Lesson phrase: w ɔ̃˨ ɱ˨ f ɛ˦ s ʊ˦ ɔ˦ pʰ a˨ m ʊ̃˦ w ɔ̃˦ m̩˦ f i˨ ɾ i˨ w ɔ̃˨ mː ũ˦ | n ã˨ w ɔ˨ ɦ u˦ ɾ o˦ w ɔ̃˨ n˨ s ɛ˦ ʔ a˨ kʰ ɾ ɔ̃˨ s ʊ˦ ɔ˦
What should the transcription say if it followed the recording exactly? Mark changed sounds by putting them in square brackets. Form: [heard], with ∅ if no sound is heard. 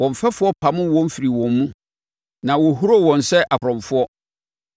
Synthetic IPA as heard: w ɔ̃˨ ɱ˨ f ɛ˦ [f] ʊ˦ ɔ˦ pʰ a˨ m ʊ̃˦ w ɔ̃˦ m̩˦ f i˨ ɾ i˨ w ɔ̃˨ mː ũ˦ | n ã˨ w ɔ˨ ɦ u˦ ɾ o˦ w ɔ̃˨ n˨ s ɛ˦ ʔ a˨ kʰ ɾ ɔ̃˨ [f] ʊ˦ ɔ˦